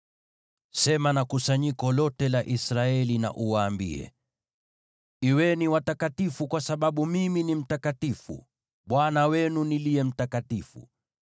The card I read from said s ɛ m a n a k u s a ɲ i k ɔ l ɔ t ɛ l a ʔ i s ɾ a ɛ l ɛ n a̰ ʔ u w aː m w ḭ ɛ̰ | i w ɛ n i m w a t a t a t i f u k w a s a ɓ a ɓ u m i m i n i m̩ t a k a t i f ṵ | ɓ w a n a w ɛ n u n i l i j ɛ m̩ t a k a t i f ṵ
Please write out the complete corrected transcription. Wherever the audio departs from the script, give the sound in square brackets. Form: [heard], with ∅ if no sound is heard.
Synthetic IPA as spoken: s ɛ m a n a k u s a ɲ i k ɔ l ɔ t ɛ l a ʔ i s ɾ a ɛ l [i] n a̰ ʔ u w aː m [b] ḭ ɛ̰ | i w ɛ n i [∅] w a t a [k] a t i f u k w a s a ɓ a ɓ u m i m i n i m̩ t a k a t i f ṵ | ɓ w a n a w ɛ n u n i l i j ɛ m̩ t a k a t i f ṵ